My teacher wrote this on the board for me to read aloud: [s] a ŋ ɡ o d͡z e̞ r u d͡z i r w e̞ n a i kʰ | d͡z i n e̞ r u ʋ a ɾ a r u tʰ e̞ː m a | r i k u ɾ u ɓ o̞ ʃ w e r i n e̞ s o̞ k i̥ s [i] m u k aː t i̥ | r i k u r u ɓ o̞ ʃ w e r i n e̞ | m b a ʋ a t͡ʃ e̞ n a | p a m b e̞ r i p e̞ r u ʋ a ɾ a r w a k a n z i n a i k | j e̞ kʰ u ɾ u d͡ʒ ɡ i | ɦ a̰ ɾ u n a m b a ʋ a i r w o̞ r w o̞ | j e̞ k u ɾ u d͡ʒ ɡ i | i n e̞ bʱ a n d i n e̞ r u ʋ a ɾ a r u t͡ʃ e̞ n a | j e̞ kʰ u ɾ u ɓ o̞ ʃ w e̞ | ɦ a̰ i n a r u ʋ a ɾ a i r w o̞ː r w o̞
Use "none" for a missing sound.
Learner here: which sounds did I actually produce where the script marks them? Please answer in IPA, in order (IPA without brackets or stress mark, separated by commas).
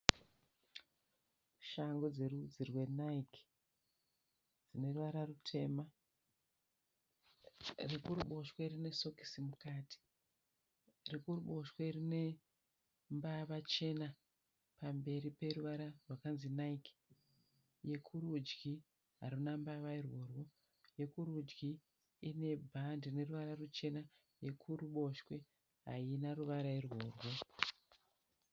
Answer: ʃ, i